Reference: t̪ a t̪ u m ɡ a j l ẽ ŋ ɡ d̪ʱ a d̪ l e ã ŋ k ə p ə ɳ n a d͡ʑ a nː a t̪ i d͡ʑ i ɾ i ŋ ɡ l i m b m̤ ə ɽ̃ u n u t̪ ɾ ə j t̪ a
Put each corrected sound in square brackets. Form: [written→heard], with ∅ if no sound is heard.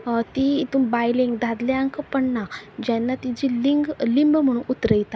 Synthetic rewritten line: t̪ [a→i] t̪ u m [ɡ→b] a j l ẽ ŋ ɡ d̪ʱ a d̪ l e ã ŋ k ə p ə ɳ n a d͡ʑ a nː a t̪ i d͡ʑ i [ɾ→l] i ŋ ɡ l i m b m̤ ə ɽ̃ u n u t̪ ɾ ə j t̪ a